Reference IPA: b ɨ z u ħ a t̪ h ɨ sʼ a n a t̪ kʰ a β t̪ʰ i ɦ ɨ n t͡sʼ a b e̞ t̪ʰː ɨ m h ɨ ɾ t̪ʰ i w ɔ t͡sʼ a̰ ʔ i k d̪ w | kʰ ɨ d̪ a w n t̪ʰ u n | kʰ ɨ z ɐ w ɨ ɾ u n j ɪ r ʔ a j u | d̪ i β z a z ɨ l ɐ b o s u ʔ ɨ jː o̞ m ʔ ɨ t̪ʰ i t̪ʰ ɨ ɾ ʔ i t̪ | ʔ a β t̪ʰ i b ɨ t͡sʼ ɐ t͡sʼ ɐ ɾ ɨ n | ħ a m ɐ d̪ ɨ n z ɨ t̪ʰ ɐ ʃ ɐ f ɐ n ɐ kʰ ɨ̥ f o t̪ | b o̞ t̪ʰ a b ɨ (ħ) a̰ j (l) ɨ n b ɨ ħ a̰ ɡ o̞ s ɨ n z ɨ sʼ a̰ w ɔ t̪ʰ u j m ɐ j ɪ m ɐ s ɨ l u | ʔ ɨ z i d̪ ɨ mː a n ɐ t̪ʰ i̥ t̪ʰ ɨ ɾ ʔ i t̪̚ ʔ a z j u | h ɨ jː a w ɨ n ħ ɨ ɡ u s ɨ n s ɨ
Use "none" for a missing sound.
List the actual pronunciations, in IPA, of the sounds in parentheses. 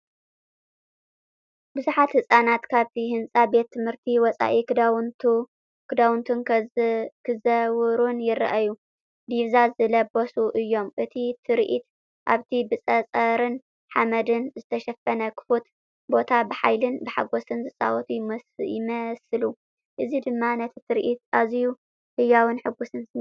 ħ, l

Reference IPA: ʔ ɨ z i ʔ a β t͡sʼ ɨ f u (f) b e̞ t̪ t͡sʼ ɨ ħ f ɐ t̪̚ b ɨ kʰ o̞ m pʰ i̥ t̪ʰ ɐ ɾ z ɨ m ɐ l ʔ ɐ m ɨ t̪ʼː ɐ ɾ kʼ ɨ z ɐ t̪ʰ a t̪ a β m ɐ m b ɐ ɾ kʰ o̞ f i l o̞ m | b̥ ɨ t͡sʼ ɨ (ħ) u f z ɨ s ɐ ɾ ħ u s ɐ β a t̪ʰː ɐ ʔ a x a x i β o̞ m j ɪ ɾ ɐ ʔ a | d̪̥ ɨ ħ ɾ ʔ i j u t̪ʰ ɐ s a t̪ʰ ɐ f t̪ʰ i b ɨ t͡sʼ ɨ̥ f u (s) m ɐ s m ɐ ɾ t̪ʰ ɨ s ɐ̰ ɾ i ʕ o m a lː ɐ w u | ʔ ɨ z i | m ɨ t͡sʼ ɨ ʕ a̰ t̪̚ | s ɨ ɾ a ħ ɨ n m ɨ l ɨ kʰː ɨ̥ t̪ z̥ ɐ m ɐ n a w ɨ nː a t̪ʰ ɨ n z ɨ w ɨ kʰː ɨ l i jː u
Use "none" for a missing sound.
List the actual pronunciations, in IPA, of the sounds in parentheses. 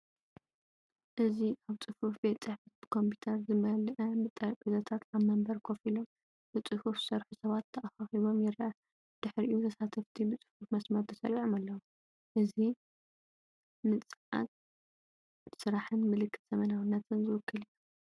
f, h, f

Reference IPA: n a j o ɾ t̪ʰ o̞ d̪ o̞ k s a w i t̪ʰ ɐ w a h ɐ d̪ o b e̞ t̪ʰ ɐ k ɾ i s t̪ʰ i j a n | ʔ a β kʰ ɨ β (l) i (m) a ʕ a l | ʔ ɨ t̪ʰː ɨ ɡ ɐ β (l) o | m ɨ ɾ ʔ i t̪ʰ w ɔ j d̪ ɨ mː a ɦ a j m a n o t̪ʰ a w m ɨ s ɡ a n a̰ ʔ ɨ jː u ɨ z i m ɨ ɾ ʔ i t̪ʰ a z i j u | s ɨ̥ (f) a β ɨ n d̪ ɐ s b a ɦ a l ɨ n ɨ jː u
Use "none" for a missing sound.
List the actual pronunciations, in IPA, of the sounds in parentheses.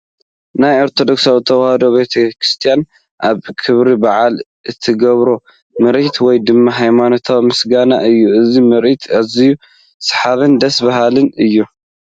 ɾ, b, ɾ, ħ

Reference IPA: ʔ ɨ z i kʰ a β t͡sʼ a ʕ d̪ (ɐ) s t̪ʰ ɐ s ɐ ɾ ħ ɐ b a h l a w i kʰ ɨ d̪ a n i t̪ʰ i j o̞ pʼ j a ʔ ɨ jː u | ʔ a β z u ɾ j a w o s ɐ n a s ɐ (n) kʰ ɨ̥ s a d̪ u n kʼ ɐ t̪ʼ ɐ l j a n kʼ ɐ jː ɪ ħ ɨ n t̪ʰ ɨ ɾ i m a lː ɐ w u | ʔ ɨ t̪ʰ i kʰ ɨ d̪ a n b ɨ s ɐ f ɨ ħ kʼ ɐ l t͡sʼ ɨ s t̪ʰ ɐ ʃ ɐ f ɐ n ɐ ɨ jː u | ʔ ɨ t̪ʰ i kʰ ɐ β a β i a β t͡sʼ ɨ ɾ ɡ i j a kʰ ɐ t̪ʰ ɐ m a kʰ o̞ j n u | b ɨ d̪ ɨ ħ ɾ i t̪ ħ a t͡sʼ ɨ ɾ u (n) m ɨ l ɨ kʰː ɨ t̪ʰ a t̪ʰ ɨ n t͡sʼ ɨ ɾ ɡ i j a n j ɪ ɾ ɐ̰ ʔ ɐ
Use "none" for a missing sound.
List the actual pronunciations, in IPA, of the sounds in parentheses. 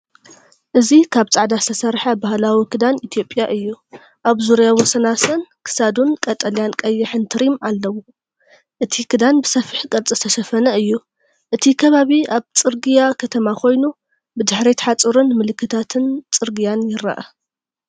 a, n, n

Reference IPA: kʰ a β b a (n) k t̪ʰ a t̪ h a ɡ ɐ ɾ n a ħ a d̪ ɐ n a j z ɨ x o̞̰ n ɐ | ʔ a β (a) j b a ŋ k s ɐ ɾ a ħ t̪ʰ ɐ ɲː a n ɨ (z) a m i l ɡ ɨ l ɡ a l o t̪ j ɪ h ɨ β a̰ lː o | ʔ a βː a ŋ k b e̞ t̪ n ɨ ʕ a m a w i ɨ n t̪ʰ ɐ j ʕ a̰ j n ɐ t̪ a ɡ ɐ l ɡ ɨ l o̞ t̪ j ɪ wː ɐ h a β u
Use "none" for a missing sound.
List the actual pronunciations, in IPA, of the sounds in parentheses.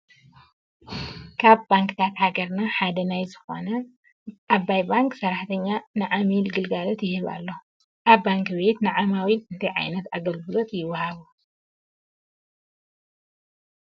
ŋ, a, ʕ

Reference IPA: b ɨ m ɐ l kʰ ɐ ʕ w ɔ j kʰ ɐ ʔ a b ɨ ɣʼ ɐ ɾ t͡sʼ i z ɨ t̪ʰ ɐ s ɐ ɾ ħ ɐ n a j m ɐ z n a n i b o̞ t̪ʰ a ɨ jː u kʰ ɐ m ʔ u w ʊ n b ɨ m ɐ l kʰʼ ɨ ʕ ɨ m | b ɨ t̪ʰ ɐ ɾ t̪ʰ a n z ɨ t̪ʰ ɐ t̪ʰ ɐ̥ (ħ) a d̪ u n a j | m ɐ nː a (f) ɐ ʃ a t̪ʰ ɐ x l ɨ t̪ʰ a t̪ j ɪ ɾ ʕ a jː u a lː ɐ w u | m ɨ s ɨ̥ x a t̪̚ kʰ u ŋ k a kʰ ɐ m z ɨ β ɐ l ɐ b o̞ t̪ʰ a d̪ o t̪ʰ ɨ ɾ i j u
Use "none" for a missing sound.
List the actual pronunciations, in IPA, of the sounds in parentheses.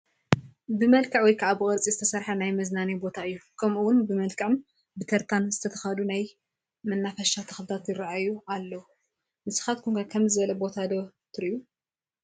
x, f

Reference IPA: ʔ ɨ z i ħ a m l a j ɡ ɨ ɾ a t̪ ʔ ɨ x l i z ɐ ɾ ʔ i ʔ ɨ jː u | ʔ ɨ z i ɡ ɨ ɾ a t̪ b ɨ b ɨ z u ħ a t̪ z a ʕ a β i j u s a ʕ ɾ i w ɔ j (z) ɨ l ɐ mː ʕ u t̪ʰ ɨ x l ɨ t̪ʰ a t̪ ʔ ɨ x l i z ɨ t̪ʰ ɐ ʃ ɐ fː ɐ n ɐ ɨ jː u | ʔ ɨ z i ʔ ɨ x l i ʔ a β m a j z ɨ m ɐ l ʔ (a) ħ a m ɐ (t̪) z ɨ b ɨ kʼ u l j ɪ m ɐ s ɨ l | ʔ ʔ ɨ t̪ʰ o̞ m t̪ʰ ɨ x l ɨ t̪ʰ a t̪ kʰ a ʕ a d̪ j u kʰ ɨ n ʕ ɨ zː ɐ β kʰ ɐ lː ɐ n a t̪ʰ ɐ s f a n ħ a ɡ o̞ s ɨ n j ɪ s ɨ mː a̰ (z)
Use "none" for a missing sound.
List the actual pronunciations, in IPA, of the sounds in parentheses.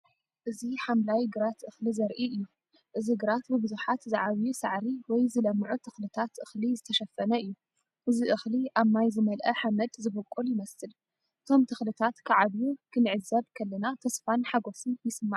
z, ɐ, d̪, ʕ

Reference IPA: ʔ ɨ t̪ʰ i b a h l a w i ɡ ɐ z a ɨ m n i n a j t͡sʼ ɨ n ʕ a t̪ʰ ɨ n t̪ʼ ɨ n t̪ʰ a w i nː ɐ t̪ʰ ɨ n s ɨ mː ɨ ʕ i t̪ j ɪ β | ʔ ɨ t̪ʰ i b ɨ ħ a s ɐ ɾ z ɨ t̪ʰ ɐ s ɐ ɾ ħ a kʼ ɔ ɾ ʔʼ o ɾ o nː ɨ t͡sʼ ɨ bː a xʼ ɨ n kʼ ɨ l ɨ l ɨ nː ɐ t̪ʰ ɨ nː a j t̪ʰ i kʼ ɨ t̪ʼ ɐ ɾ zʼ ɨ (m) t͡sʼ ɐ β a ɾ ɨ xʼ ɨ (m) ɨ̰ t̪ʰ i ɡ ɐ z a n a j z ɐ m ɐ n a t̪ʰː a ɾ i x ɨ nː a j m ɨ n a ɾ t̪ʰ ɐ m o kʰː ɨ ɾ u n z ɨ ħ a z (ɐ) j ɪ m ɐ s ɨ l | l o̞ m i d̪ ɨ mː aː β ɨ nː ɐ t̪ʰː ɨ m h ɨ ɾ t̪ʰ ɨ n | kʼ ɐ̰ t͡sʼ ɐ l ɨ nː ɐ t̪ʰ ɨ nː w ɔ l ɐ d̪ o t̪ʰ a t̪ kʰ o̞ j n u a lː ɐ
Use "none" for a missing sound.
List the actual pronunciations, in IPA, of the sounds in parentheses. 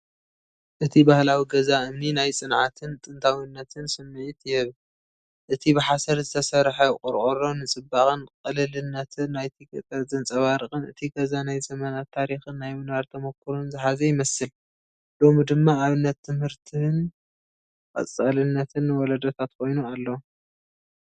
n, n, ɐ

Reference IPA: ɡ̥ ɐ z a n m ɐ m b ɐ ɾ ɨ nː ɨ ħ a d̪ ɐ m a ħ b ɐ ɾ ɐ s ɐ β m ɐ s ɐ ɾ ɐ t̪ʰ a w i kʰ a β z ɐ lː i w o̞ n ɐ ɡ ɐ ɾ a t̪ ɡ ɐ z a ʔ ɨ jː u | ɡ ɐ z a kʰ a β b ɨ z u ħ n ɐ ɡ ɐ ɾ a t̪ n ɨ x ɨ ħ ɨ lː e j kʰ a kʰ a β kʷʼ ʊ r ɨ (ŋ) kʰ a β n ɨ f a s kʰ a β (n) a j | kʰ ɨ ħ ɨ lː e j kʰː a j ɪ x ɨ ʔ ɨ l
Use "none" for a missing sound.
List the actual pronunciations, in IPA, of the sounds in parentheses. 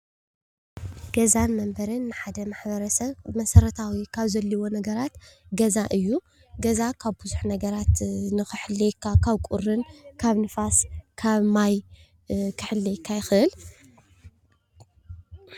n, m

